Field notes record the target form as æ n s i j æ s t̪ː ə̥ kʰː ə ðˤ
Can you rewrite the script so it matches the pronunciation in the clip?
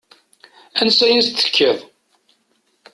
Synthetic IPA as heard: æ n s æ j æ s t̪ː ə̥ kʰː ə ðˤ